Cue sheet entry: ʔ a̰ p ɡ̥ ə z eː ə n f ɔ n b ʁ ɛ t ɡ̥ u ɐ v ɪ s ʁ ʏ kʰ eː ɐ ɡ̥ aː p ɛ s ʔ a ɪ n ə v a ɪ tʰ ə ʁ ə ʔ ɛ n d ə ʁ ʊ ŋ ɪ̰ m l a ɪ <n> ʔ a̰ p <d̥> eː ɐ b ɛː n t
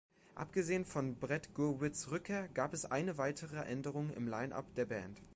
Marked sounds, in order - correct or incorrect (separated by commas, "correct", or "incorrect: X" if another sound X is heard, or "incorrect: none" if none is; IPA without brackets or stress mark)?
correct, correct